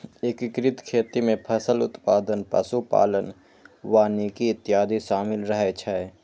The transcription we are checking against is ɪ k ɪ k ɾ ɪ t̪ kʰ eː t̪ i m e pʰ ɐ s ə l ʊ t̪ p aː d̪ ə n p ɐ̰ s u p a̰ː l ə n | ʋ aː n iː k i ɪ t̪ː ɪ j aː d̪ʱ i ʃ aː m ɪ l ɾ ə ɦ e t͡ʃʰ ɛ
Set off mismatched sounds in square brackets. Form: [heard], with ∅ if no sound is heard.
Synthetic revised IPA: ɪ k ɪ k ɾ ɪ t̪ kʰ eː t̪ i m [ẽ] pʰ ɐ s ə l ʊ t̪ p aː d̪ ə n p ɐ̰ s u p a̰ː l ə n | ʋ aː n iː k i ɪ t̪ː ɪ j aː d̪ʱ i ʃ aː m ɪ l ɾ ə ɦ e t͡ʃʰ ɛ